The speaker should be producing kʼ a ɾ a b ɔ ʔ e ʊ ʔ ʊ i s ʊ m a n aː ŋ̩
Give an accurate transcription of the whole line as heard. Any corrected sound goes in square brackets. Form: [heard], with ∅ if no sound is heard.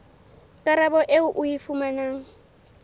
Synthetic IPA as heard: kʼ a ɾ a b ɔ ʔ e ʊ ʔ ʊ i [f] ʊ m a n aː ŋ̩

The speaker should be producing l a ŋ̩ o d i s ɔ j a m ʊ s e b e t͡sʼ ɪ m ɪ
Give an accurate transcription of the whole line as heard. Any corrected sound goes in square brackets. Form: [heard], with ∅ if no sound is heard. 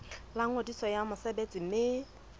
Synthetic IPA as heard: l a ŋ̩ o d i s ɔ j a m ʊ s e b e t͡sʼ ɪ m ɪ

